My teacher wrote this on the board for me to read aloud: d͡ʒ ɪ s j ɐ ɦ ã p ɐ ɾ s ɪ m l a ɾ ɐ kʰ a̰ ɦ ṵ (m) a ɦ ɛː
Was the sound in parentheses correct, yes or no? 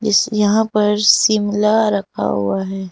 no